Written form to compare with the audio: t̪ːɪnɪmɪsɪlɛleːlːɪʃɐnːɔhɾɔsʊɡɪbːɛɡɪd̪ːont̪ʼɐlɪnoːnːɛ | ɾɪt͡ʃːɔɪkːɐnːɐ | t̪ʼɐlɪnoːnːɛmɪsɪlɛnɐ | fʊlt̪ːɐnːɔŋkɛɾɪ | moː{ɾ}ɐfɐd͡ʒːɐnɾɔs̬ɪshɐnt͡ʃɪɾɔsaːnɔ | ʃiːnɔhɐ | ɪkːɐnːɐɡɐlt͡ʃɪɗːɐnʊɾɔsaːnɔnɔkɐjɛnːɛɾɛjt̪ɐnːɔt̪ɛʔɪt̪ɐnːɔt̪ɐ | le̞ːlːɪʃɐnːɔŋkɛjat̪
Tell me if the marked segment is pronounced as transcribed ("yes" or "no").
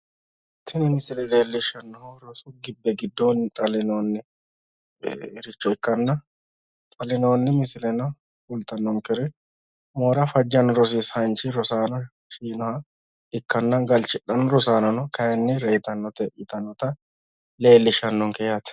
yes